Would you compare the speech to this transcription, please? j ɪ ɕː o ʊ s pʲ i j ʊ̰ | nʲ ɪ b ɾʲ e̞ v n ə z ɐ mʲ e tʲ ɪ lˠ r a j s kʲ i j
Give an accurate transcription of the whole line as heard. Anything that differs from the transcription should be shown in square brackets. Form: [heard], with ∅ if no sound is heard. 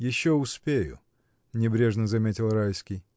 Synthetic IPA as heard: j ɪ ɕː o ʊ s pʲ [e] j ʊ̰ | nʲ ɪ b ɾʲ e̞ [ʐ] n ə z ɐ mʲ e tʲ ɪ lˠ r a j s kʲ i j